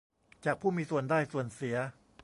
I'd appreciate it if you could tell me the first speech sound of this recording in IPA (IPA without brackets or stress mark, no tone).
t͡ɕ